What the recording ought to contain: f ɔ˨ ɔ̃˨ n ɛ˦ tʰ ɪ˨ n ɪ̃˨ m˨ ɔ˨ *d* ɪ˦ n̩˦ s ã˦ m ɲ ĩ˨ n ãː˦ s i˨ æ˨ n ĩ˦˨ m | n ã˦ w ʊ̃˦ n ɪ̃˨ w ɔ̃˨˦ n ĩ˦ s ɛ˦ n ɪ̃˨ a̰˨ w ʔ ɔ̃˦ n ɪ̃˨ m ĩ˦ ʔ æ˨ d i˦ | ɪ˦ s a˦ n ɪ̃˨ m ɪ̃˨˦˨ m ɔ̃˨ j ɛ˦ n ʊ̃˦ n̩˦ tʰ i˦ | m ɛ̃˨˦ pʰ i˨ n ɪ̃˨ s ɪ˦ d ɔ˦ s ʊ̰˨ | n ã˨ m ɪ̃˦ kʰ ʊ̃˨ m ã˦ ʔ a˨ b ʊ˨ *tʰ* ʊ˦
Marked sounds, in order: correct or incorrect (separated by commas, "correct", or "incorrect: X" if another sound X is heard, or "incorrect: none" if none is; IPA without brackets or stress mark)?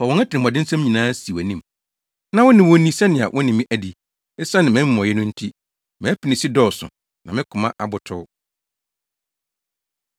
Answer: correct, correct